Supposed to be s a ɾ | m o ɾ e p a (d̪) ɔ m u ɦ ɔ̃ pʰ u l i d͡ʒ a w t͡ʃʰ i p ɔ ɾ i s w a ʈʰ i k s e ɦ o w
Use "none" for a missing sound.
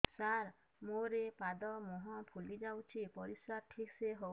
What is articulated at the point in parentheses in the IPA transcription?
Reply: d̪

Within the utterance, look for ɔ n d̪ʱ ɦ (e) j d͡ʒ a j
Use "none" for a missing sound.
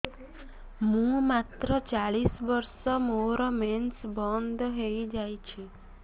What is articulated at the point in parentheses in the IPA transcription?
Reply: e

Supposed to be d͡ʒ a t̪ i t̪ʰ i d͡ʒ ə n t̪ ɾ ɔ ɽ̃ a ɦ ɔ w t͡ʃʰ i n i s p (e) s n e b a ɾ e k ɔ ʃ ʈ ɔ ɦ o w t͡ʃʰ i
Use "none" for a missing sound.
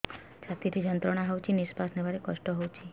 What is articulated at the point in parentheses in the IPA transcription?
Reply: a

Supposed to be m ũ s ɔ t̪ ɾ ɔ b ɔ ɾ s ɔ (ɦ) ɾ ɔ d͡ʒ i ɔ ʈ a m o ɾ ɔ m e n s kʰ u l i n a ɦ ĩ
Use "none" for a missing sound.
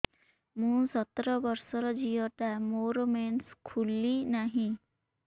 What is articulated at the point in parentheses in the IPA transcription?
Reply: none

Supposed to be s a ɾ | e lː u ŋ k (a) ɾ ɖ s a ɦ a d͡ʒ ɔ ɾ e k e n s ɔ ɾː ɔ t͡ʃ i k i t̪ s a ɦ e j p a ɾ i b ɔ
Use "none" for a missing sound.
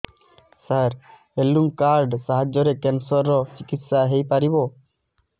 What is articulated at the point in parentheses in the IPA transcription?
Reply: a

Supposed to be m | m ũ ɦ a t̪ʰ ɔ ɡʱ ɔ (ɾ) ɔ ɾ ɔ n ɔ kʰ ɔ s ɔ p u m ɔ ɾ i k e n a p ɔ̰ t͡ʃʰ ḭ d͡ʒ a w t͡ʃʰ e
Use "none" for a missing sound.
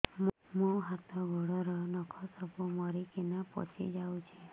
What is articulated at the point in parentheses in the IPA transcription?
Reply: ɽ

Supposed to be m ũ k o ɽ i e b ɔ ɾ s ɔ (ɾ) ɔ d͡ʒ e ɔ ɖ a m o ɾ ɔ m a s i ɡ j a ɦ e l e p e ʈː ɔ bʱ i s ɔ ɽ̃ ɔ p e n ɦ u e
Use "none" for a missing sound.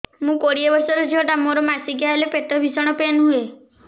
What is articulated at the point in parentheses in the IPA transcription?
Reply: ɾ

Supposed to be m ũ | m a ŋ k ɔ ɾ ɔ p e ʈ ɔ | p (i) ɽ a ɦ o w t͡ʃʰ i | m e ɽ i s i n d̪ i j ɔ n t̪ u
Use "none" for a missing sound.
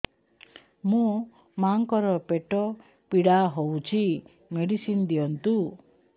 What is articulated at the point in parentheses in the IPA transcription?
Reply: i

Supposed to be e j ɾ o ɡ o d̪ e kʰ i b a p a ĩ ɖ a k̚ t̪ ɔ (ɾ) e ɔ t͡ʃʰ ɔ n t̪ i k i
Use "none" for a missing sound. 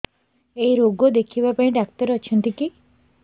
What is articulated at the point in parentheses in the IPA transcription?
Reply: ɾ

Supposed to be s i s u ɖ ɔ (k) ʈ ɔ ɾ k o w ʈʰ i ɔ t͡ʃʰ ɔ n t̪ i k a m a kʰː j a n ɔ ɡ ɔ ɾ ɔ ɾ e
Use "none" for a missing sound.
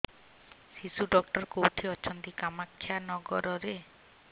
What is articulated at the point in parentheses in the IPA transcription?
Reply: k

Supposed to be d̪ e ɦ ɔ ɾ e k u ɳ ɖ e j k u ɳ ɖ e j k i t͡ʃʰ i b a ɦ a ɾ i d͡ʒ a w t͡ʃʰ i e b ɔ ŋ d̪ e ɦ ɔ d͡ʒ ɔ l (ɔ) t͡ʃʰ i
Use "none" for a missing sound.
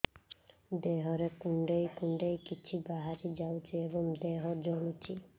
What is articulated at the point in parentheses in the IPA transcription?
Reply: u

